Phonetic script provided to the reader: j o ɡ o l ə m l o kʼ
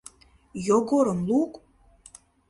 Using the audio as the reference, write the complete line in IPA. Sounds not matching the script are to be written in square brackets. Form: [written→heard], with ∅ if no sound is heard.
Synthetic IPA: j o ɡ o [l→ɾ] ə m l [o→u] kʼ